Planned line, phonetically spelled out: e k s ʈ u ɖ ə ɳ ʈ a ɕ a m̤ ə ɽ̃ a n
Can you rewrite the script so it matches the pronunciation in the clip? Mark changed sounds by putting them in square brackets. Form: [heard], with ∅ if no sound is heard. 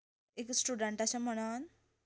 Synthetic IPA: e k s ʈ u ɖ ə ɳ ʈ a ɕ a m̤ ə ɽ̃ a n